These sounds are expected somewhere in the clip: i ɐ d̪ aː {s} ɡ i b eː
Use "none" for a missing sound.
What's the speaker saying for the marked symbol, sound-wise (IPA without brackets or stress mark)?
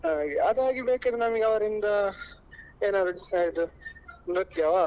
none